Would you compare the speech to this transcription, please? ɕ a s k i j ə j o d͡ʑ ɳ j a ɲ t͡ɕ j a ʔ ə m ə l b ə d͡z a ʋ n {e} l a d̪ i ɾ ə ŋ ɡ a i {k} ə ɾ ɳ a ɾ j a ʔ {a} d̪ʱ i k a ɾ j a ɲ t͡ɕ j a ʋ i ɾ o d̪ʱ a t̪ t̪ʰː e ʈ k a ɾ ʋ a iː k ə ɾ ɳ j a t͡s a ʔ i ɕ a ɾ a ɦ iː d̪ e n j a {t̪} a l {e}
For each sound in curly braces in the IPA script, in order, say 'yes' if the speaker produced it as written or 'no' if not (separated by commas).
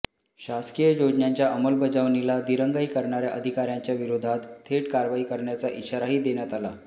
no, yes, no, yes, no